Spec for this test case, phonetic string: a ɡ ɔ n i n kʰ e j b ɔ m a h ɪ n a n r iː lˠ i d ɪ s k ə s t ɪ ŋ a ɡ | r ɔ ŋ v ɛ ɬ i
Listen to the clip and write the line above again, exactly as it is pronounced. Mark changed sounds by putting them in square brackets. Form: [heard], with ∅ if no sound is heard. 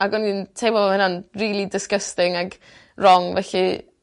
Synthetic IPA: a ɡ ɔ n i n [tʰ] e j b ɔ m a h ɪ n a n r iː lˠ i d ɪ s k ə s t ɪ ŋ a ɡ | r ɔ ŋ v ɛ ɬ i